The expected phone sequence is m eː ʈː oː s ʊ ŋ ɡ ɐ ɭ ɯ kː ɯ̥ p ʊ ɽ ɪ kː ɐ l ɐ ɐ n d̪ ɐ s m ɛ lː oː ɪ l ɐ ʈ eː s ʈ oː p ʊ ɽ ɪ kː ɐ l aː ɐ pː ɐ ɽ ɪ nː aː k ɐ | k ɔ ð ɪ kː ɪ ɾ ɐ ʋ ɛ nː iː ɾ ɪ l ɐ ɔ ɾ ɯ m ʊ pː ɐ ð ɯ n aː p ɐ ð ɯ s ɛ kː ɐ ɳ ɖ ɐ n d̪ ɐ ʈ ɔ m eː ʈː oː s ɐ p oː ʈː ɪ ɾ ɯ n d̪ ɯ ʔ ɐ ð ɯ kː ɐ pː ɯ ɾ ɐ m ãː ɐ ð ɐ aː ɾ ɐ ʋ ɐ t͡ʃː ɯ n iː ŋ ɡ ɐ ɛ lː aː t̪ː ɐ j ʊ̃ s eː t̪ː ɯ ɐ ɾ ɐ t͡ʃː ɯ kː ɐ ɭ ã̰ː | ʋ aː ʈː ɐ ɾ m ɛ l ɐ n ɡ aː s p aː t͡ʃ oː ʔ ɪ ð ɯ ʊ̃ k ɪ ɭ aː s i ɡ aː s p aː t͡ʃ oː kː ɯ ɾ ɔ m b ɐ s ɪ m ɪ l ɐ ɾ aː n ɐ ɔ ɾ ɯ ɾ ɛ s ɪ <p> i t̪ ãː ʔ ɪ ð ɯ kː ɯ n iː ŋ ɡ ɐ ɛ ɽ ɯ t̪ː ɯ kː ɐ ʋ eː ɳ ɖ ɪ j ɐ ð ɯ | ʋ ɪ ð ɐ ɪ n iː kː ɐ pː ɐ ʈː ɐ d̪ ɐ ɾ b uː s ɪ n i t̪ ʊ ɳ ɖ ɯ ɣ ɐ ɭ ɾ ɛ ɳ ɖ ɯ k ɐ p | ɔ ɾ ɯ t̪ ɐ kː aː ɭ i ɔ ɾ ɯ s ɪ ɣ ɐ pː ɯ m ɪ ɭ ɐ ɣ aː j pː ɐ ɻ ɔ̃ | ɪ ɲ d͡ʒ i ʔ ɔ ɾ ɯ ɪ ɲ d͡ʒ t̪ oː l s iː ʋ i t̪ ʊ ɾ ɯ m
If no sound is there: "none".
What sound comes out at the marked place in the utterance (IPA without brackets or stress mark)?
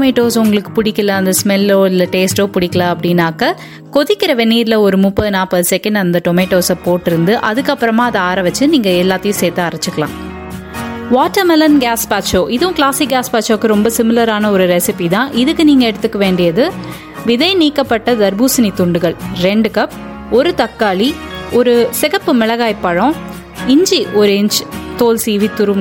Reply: p